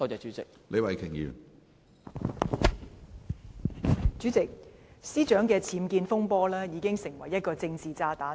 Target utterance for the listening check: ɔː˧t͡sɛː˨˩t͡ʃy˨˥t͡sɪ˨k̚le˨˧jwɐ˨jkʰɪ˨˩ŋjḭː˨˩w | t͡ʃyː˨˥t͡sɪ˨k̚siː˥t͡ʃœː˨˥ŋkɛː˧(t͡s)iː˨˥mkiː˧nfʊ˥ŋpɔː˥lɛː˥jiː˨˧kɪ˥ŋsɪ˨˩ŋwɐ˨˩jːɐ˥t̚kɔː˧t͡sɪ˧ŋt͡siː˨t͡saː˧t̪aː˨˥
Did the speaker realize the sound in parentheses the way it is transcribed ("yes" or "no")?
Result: no